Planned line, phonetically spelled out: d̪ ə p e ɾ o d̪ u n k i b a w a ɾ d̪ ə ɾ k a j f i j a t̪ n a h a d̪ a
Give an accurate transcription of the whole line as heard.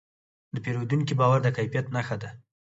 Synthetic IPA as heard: d̪ ə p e ɾ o d̪ u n k i b ɑ w a ɾ d̪ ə k a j f i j a t̪ n a x a d̪ a